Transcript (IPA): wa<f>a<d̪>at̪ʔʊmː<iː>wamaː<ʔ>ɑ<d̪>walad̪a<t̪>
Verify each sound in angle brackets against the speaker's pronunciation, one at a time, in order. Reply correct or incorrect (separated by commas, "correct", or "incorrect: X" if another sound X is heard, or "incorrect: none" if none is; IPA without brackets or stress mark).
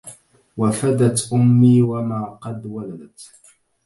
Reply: correct, correct, correct, incorrect: q, correct, correct